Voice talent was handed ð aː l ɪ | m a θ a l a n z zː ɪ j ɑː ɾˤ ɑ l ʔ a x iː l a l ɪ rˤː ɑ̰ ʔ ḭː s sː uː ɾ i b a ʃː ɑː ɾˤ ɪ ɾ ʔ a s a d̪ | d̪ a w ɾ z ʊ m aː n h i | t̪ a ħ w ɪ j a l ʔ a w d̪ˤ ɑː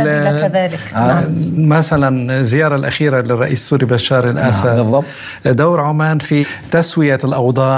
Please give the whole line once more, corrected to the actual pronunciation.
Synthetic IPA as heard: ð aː l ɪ | m a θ a l a n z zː ɪ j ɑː ɾˤ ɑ l ʔ a x iː ɾ a l ɪ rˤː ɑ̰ ʔ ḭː s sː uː ɾ i b a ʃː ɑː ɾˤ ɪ l ʔ a s a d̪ | d̪ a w ɾ ʕ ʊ m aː n f i | t̪ a s w ɪ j a l ʔ ɑ w d̪ˤ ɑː